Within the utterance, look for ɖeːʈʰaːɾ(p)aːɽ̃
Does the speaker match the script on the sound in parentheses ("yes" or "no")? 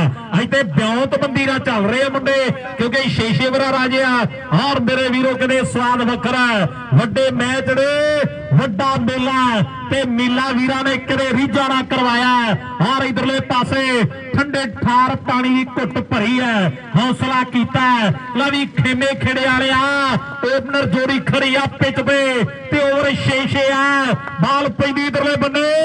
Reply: yes